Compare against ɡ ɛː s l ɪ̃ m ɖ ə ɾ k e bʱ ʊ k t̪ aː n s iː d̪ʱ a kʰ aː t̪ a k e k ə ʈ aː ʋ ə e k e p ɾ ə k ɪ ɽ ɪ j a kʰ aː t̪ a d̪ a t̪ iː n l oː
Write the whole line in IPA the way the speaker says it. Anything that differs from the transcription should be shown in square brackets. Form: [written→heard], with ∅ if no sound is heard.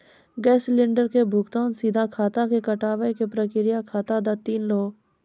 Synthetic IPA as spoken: ɡ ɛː s l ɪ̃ [m→ɳ] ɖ ə ɾ k e bʱ ʊ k t̪ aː n s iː d̪ʱ a kʰ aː t̪ a k e k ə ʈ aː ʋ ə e k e p ɾ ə k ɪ [ɽ→ɾ] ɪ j a kʰ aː t̪ a d̪ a t̪ iː n l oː